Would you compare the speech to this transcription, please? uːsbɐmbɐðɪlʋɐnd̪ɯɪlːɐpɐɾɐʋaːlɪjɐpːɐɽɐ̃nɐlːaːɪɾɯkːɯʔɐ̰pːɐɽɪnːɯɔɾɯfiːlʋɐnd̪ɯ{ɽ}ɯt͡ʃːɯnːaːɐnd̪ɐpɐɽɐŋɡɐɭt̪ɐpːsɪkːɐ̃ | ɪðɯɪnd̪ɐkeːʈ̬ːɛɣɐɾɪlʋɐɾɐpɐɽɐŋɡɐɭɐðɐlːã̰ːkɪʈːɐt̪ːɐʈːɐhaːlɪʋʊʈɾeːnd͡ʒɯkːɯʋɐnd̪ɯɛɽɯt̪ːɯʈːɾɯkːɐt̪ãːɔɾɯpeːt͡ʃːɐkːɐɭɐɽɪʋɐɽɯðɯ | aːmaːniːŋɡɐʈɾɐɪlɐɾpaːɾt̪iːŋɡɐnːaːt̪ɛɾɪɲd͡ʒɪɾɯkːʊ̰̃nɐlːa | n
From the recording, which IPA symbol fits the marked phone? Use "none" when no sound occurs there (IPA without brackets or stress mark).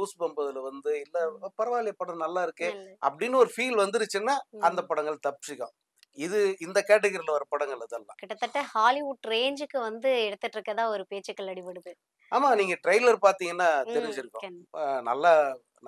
ɾ